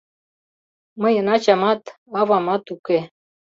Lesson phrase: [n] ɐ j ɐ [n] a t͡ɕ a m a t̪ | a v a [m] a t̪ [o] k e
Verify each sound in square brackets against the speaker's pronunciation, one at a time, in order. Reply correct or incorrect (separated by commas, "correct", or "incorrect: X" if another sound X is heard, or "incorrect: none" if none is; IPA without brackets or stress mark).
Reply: incorrect: m, correct, correct, incorrect: u